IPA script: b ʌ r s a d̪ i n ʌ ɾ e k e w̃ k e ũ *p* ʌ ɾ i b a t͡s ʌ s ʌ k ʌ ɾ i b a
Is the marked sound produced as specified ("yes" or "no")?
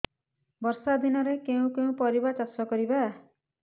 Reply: yes